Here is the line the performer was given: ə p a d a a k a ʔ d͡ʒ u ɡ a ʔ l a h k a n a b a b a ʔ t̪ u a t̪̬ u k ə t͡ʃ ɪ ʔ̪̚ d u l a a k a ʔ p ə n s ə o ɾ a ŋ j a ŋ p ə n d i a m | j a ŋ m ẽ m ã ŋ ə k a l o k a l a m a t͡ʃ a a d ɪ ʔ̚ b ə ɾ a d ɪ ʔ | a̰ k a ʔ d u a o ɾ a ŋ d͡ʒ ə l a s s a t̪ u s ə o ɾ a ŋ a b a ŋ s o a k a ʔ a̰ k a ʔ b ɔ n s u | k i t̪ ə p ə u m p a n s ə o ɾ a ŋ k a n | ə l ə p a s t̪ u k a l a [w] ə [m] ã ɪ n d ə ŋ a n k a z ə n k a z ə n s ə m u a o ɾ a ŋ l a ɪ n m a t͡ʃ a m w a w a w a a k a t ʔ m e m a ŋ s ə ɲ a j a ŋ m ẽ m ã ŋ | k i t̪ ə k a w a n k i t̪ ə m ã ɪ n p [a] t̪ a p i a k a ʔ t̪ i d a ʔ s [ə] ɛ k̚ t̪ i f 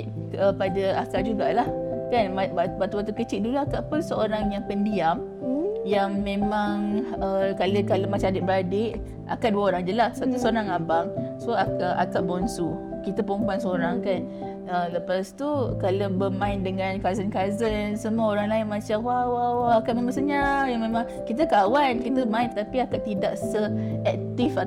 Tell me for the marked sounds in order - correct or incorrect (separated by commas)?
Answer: incorrect, correct, incorrect, correct